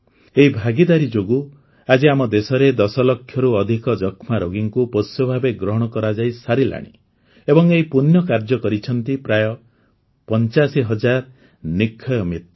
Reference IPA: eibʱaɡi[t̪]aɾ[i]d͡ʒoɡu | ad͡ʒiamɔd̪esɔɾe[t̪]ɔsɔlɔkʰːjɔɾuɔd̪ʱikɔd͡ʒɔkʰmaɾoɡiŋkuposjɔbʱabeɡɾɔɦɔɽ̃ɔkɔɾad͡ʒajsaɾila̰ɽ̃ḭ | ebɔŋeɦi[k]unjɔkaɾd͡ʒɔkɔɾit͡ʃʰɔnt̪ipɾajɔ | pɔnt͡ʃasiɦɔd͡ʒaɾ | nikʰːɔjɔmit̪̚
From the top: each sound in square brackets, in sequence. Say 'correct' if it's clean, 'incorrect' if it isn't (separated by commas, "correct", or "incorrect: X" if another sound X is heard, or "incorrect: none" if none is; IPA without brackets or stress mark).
incorrect: d̪, correct, incorrect: d̪, incorrect: p